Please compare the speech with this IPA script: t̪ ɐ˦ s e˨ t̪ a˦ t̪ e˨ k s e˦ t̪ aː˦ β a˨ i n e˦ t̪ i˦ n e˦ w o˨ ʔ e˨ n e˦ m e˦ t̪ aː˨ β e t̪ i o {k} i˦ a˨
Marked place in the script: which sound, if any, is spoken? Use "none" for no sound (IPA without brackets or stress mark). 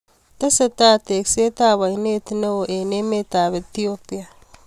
p